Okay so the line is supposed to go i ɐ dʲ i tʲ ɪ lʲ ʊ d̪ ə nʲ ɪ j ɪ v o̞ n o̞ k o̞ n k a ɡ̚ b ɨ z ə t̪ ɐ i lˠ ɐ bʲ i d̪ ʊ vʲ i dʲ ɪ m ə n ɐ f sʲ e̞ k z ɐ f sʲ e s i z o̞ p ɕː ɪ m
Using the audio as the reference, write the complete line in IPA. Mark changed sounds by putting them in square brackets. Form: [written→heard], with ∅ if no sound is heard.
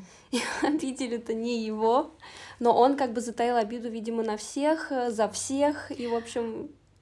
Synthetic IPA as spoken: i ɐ [dʲ→bʲ] i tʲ ɪ lʲ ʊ [d̪→t̪] ə nʲ ɪ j ɪ v o̞ n o̞ [k→ʔ] o̞ n k a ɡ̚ b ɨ z ə t̪ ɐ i lˠ ɐ bʲ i d̪ ʊ vʲ i dʲ ɪ m ə n ɐ f sʲ e̞ [k→x] z ɐ f sʲ e [s→x] i [z→v] o̞ p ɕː ɪ m